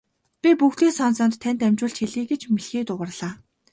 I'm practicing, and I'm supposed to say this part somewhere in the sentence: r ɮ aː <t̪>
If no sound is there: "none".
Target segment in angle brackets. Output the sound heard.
none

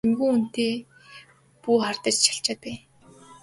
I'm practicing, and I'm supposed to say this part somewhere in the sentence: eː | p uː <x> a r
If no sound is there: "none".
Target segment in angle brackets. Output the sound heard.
χ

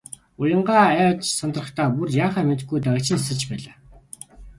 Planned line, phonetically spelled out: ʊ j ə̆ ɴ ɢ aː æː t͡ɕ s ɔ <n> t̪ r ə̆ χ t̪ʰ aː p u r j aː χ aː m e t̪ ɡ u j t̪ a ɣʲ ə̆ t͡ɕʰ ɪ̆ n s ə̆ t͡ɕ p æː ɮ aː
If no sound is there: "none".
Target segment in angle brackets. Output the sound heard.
n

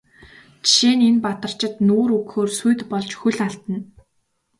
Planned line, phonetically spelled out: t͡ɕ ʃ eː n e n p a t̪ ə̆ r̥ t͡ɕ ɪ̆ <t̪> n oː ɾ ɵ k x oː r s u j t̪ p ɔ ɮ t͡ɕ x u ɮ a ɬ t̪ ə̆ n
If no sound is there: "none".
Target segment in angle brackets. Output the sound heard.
t̪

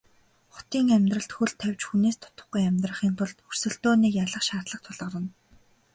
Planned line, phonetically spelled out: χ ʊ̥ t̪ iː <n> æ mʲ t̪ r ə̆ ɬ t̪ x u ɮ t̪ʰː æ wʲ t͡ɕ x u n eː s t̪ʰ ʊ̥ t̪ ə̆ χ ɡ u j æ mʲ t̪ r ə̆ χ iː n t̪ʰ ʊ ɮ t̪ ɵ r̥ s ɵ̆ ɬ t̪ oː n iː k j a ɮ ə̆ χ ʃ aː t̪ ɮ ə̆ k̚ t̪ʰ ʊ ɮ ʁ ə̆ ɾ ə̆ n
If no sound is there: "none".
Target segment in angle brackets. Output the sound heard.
ŋ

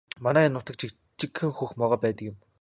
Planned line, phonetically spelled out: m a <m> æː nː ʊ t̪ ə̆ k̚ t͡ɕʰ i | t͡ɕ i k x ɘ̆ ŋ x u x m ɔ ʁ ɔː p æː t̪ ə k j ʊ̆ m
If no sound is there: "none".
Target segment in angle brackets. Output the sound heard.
n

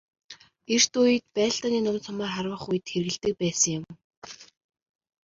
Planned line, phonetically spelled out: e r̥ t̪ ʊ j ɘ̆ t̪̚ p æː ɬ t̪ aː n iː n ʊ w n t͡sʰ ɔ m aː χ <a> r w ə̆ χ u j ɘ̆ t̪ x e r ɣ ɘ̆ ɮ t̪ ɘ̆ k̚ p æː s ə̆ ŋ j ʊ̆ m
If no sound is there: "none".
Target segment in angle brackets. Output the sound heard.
a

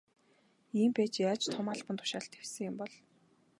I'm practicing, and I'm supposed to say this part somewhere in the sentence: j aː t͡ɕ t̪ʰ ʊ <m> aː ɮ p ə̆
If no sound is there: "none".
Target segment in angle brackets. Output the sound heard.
m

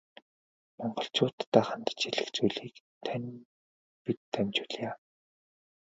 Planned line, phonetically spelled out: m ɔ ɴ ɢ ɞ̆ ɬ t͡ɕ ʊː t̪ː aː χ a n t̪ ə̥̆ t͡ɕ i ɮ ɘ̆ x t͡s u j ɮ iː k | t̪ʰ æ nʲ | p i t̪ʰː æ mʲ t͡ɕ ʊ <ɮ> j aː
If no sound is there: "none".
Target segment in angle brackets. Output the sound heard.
ɮ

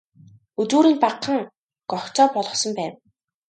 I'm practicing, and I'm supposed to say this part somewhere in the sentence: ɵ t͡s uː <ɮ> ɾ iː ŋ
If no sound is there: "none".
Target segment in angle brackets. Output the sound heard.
none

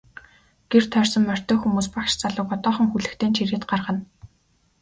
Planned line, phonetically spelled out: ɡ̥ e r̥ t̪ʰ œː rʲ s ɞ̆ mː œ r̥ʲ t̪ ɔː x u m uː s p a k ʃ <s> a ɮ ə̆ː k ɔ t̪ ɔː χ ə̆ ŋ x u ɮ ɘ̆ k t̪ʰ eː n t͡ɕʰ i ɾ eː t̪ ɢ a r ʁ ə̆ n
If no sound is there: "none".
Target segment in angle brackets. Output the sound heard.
t͡s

